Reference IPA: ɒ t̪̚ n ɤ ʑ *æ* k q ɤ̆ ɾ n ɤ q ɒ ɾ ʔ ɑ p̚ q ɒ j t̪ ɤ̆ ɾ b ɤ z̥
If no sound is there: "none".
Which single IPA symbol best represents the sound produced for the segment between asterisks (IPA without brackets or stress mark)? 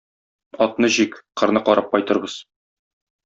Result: i